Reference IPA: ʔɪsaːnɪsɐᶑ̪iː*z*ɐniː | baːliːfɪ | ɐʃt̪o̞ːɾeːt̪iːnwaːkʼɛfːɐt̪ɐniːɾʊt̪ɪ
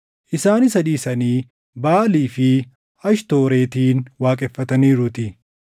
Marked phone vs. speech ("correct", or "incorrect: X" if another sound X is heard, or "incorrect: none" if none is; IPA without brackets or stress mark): incorrect: s